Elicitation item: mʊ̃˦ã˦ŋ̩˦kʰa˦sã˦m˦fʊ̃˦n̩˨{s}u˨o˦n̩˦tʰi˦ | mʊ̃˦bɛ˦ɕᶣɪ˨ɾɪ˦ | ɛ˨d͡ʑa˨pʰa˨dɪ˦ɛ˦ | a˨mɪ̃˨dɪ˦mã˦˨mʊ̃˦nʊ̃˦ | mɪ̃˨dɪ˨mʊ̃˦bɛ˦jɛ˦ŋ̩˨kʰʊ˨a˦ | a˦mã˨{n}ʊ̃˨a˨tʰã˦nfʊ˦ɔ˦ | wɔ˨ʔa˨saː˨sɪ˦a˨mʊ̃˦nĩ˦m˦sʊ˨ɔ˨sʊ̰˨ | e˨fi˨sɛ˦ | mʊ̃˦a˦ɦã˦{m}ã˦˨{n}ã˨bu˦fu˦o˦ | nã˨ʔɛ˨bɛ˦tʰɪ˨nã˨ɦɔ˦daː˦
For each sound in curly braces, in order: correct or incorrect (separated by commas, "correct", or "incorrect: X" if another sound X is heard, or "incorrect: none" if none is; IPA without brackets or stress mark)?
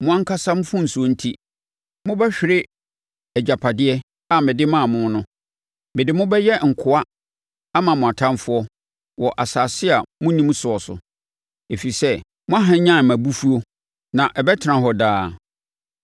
correct, incorrect: m, incorrect: ɲ, incorrect: m